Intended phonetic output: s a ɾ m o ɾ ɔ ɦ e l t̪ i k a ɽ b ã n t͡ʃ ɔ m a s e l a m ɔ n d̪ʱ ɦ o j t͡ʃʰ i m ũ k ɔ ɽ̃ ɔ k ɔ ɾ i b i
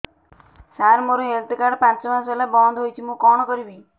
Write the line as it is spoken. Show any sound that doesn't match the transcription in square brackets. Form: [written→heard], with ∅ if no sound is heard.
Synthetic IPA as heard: s a ɾ m o ɾ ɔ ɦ e l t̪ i k a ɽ [b→p] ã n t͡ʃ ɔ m a s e l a [m→b] ɔ n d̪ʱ ɦ o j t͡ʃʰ i m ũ k ɔ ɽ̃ ɔ k ɔ ɾ i b i